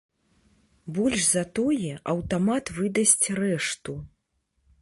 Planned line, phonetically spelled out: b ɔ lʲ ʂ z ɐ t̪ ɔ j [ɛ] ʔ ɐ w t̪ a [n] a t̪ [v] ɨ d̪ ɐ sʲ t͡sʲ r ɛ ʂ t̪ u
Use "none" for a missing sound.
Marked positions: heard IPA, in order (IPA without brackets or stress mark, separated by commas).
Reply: ɛ, m, v